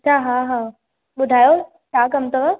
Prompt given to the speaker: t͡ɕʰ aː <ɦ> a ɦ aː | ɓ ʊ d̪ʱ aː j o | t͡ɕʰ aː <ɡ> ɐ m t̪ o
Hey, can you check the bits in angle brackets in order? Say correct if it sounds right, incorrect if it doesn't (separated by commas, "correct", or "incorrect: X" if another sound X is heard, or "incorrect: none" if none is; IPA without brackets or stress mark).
correct, incorrect: k